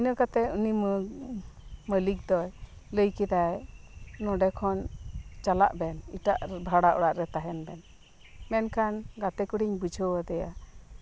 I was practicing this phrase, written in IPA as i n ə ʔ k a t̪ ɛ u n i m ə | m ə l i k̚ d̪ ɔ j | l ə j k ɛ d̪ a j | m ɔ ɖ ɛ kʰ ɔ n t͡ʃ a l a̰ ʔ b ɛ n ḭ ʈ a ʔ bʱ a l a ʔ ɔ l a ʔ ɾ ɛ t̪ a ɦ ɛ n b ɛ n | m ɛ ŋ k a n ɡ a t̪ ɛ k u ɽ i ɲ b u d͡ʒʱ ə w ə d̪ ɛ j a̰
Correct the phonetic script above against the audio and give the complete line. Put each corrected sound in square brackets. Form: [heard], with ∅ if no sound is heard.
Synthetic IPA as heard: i n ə [∅] k a t̪ ɛ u n i m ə | m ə l i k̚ d̪ ɔ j | l ə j k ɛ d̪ a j | [n] ɔ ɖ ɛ kʰ ɔ n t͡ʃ a l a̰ ʔ b ɛ n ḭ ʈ a ʔ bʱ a [ɽ] a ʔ ɔ [ɽ] a ʔ ɾ ɛ t̪ a ɦ ɛ n b ɛ n | m ɛ [n] k a n ɡ a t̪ ɛ k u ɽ i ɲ b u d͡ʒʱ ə w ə d̪ ɛ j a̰

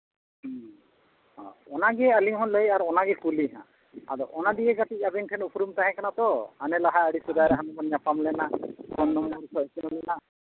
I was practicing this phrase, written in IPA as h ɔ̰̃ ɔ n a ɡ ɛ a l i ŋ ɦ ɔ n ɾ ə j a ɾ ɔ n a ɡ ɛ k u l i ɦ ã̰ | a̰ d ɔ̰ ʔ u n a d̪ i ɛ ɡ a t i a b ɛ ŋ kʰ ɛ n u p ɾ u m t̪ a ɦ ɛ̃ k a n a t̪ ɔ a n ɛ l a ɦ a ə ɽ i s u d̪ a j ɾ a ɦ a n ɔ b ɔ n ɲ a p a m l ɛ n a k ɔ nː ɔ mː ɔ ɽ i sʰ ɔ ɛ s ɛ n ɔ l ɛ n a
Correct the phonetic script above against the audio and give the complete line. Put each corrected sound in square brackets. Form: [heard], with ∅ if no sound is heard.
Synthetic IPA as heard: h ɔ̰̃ ɔ n a ɡ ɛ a l i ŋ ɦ ɔ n [l] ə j a ɾ ɔ n a ɡ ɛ k u l i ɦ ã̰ | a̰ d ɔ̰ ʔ [ɔ] n a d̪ i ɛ ɡ a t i a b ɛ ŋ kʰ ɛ n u p ɾ u m t̪ a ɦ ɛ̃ k a n a t̪ ɔ a n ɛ l a ɦ a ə ɽ i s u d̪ a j ɾ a ɦ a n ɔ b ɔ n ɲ a p a m l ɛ n a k ɔ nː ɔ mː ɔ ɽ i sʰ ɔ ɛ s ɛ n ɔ l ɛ n a

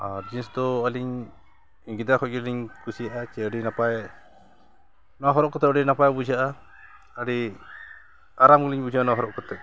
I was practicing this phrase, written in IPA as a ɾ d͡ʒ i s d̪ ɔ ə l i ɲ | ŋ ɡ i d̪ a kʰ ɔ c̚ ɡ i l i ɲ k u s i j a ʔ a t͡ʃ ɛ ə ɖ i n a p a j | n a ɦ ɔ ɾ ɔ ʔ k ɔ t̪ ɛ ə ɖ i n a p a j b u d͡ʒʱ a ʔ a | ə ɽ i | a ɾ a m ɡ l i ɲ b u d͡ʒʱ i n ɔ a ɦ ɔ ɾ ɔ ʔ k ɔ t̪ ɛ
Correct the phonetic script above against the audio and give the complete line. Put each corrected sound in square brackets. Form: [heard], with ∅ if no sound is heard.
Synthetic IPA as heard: a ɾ d͡ʒ i s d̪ ɔ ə l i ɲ | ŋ ɡ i d̪ a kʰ ɔ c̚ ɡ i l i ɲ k u s i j a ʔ a t͡ʃ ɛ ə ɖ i n a p a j | n a ɦ ɔ ɾ ɔ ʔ k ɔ t̪ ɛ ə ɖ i n a p a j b u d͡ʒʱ a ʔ a | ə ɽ i | a ɾ a m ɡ l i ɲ b u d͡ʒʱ [a] n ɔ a ɦ ɔ ɾ ɔ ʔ k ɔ t̪ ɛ

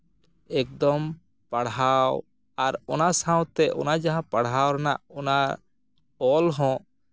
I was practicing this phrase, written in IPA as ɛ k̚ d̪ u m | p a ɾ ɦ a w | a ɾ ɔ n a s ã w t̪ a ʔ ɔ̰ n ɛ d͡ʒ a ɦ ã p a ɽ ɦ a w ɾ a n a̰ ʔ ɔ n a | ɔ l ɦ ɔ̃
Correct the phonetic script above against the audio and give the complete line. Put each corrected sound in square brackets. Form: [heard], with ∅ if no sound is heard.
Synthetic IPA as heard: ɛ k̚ d̪ [ɔ] m | p a [ɽ] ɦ a w | a ɾ ɔ n a s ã w t̪ [ɛ] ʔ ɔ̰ n [a] d͡ʒ a ɦ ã p a ɽ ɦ a w ɾ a n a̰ ʔ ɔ n a | ɔ l ɦ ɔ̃

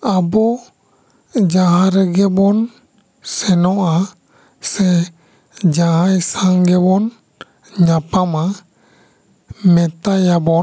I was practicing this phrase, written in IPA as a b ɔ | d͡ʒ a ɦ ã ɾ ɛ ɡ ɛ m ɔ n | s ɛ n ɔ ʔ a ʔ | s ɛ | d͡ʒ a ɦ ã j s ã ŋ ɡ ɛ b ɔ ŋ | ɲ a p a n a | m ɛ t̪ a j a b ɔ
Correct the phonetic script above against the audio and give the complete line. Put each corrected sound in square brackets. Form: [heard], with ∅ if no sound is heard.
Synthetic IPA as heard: a b ɔ | d͡ʒ a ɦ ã ɾ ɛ ɡ ɛ [b] ɔ n | s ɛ n ɔ ʔ a [∅] | s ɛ | d͡ʒ a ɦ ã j s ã ŋ ɡ ɛ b ɔ [n] | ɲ a p a [m] a | m ɛ t̪ a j a b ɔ

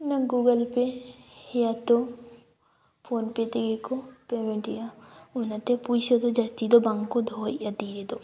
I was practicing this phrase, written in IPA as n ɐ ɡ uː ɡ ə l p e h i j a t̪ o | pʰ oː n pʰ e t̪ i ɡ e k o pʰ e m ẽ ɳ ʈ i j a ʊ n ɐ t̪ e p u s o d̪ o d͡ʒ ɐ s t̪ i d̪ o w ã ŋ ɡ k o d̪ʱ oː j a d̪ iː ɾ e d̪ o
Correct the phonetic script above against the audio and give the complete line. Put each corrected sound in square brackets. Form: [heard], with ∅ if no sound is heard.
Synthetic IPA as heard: n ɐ ɡ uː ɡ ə l p e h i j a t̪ o | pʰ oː n [p] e t̪ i ɡ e k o [p] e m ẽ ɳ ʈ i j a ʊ n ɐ t̪ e p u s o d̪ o d͡ʒ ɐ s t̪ i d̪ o [b] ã ŋ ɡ k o d̪ʱ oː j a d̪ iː ɾ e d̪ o

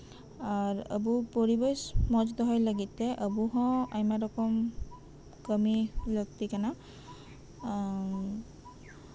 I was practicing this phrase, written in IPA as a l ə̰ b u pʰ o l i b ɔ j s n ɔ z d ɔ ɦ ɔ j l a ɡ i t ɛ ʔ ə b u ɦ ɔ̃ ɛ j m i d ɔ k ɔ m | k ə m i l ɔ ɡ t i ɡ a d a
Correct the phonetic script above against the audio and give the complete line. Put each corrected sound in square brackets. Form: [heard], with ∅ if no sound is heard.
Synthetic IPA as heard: a [ɹ] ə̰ b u [p] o [ɹ] i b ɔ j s [m] ɔ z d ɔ ɦ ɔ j l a ɡ i t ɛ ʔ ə b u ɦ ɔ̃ [a] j m [a] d ɔ k ɔ m | k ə m i l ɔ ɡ t i [k] a [n] a

